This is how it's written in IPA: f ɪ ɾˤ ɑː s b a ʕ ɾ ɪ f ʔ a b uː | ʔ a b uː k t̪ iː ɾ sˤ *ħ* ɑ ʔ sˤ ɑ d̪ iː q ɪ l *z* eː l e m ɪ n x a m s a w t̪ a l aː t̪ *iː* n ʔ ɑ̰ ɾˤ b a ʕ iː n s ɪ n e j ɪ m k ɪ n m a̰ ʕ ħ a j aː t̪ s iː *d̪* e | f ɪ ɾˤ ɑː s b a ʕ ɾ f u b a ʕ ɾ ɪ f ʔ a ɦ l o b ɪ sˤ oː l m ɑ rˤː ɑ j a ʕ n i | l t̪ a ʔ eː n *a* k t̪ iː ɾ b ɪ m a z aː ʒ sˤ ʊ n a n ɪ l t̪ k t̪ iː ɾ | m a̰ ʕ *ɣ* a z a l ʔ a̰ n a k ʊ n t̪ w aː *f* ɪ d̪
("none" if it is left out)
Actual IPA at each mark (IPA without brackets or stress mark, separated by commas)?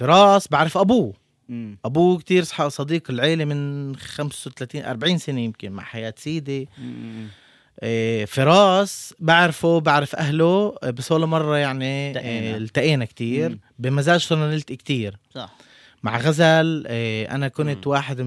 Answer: ħ, ʕ, iː, d̪, a, ɣ, ħ